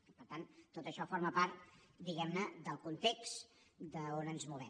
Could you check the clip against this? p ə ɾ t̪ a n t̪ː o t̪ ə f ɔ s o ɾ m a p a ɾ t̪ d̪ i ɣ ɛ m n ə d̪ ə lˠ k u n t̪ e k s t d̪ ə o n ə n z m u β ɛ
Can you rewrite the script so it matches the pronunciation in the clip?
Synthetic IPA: p ə ɾ t̪ a n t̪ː o t̪ ə ʃ ɔ f o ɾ m ə p a ɾ t̪ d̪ i ɣ ɛ m n ə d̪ ə lˠ k u n t̪ e k s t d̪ ə o n ə n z m u β ɛ